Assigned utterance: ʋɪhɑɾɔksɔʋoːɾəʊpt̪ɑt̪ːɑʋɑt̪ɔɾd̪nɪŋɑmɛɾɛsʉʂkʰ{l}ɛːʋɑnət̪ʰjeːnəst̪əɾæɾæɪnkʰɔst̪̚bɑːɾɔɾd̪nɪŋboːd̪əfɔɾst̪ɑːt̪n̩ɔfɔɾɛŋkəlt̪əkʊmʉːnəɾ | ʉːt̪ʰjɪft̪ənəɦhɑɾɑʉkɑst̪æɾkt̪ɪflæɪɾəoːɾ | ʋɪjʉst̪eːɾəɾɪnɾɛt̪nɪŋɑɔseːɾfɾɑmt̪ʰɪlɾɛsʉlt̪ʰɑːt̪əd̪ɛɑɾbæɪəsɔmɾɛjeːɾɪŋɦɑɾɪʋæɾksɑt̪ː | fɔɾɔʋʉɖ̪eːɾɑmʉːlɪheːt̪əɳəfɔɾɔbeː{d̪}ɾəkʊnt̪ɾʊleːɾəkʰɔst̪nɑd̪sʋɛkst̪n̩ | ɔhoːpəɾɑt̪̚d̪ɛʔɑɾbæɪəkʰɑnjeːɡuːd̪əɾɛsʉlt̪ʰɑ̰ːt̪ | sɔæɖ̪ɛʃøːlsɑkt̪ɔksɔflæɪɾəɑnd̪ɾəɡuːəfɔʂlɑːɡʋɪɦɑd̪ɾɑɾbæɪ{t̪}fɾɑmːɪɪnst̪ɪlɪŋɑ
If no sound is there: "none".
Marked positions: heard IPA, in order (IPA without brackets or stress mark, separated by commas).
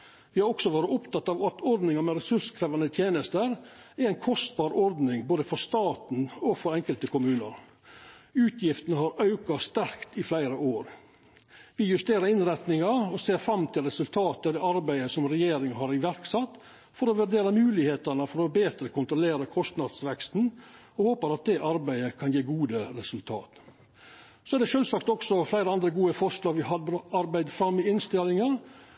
ɾ, t̪, d̪